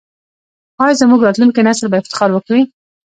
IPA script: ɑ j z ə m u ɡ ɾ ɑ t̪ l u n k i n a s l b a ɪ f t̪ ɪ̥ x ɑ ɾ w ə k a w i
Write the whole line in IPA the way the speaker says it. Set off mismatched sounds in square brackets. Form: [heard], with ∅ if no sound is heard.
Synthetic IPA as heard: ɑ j z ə m u ɡ ɾ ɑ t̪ l u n k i n a s l b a ɪ f t̪ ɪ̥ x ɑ ɾ w ə k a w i